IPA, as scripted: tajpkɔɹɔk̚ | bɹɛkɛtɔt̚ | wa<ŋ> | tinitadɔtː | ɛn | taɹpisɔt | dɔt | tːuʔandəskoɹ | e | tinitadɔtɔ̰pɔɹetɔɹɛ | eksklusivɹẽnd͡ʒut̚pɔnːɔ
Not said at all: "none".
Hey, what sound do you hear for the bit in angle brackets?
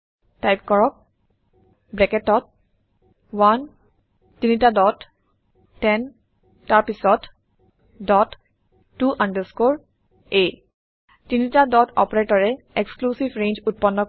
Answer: n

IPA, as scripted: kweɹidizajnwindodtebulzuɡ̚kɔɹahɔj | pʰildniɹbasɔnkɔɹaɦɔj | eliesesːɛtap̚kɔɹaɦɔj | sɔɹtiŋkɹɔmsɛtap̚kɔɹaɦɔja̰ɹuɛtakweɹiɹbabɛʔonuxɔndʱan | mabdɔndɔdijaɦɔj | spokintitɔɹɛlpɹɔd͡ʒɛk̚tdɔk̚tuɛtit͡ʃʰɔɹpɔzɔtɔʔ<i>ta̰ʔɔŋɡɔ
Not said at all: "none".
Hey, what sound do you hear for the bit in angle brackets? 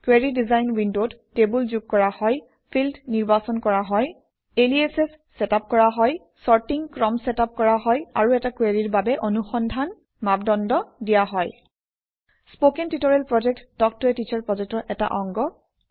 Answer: ɛ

